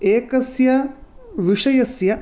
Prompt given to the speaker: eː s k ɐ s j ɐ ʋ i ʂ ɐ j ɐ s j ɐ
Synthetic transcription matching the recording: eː k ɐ s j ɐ ʋ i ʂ ɐ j ɐ s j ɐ